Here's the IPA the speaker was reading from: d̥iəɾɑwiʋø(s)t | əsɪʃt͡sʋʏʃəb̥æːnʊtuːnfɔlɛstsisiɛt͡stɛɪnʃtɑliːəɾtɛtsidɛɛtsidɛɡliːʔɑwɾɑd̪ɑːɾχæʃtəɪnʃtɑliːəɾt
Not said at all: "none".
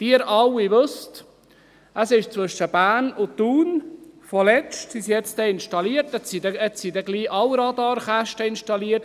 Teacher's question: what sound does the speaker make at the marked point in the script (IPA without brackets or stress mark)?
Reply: s